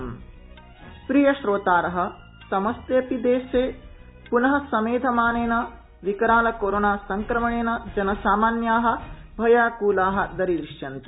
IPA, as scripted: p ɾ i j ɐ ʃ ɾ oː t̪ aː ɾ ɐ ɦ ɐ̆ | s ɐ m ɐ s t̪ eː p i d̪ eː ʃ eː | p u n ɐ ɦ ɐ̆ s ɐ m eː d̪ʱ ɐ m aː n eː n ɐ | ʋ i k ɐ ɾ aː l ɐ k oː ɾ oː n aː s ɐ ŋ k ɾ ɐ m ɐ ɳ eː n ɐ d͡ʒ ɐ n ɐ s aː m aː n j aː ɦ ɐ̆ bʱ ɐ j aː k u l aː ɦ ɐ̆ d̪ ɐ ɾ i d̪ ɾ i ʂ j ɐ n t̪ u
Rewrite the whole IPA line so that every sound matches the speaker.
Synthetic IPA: p ɾ i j ɐ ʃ ɾ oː t̪ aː ɾ ɐ ɦ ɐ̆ | s ɐ m ɐ s t̪ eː p i d̪ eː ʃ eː | p u n ɐ ɦ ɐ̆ s ɐ m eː d̪ʱ ɐ m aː n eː n ɐ | ʋ i k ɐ ɾ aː l ɐ k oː ɾ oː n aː s ɐ ŋ k ɾ ɐ m ɐ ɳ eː n ɐ d͡ʒ ɐ n ɐ s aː m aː n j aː ɦ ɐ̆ bʱ ɐ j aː k uː l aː ɦ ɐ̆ d̪ ɐ ɾ i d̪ ɾ i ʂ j ɐ n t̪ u